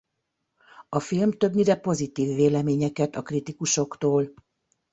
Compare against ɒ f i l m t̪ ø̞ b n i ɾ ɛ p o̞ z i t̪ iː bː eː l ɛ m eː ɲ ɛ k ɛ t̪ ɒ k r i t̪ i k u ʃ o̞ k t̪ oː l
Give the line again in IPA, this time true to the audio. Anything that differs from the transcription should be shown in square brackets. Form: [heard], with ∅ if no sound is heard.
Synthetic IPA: ɒ f i l m t̪ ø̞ b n i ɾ ɛ p o̞ z i t̪ iː [vː] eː l ɛ m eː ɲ ɛ k ɛ t̪ ɒ k r i t̪ i k u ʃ o̞ k t̪ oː l

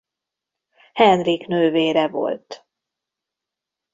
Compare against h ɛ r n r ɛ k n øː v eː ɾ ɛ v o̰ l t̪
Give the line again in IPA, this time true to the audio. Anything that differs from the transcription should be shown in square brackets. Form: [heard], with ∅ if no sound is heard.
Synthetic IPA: h ɛ [∅] n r [i] k n øː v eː ɾ ɛ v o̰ l t̪

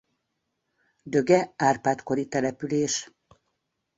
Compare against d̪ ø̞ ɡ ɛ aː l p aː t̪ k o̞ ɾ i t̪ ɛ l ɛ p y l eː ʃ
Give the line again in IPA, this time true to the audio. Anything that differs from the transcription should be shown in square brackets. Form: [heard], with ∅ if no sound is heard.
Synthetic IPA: d̪ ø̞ ɡ ɛ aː [r] p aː t̪ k o̞ ɾ i t̪ ɛ l ɛ p y l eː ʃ

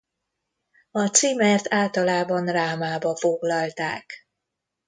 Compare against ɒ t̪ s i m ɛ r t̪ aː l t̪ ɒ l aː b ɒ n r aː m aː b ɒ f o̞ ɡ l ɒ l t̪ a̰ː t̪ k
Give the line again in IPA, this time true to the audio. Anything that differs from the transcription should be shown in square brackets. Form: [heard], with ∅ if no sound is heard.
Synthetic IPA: ɒ t̪ s i m ɛ r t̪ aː l t̪ ɒ l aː b ɒ n r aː m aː b ɒ f o̞ ɡ l ɒ l t̪ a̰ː [∅] k

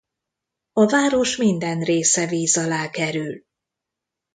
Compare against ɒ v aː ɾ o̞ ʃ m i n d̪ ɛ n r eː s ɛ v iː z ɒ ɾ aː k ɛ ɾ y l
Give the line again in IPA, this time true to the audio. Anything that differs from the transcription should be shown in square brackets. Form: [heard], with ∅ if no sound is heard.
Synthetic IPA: ɒ v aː ɾ o̞ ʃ m i n d̪ ɛ n r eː s ɛ v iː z ɒ [l] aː k ɛ ɾ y l

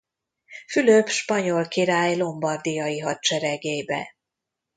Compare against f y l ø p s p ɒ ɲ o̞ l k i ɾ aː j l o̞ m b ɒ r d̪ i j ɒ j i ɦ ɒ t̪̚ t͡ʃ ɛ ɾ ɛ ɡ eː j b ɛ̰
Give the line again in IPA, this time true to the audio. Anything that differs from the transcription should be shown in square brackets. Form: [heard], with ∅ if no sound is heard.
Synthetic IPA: f y l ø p [ʃ] p ɒ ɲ o̞ l k i ɾ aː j l o̞ m b ɒ r d̪ i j ɒ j i ɦ ɒ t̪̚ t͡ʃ ɛ ɾ ɛ ɡ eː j b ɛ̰

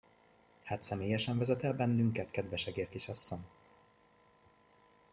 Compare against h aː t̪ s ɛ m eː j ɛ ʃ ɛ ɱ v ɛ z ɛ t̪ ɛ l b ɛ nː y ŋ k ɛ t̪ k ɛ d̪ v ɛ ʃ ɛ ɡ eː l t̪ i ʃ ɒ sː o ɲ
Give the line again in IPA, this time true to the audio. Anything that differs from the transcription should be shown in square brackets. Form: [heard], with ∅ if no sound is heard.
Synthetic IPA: h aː t̪ s ɛ m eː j ɛ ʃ ɛ ɱ v ɛ z ɛ t̪ ɛ l b ɛ nː y ŋ k ɛ t̪ k ɛ d̪ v ɛ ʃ ɛ ɡ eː [r] t̪ i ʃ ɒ sː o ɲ

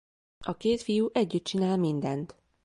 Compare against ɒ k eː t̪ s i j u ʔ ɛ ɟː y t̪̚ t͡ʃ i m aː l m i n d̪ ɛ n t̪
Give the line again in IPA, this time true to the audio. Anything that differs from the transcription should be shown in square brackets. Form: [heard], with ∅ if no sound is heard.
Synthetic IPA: ɒ k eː t̪ [f] i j u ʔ ɛ ɟː y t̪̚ t͡ʃ i [n] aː l m i n d̪ ɛ n t̪

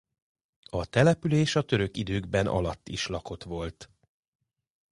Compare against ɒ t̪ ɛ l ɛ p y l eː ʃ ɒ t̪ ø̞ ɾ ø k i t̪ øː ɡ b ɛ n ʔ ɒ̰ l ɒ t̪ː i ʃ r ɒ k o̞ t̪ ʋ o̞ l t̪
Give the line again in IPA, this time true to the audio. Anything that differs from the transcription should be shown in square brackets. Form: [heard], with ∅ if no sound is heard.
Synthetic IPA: ɒ t̪ ɛ l ɛ p y l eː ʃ ɒ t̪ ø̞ ɾ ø k i [d̪] øː ɡ b ɛ n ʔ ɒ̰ l ɒ t̪ː i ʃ [l] ɒ k o̞ t̪ ʋ o̞ l t̪

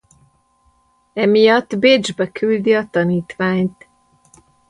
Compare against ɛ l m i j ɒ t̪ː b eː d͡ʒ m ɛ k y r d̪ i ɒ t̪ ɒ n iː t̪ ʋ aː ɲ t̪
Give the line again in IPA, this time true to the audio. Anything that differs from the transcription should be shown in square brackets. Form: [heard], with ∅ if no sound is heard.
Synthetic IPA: ɛ [∅] m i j ɒ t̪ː b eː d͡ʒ [b] ɛ k y [l] d̪ i ɒ t̪ ɒ n iː t̪ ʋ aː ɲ t̪

